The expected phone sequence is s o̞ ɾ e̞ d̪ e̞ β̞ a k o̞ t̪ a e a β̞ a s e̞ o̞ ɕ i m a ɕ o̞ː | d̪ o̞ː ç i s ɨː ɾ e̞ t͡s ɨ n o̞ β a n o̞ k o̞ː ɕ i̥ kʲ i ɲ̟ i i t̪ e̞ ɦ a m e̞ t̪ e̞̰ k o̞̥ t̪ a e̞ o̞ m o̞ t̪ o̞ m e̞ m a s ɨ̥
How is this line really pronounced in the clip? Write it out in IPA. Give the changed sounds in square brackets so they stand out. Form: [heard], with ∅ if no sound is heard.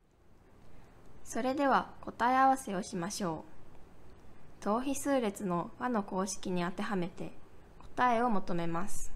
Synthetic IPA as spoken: s o̞ ɾ e̞ d̪ e̞ β̞ a k o̞ t̪ a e a β̞ a s e̞ o̞ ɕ i m a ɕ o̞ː | [t̪] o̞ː ç i s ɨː ɾ e̞ t͡s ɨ n o̞ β a n o̞ k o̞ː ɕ i̥ kʲ i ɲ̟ i [a] t̪ e̞ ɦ a m e̞ t̪ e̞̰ k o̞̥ t̪ a e̞ o̞ m o̞ t̪ o̞ m e̞ m a s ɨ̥